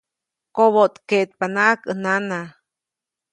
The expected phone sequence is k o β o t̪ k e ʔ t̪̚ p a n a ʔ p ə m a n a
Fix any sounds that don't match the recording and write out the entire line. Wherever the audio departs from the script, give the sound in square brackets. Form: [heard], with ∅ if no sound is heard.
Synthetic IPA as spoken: k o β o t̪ k e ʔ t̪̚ p a n a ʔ [k] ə [n] a n a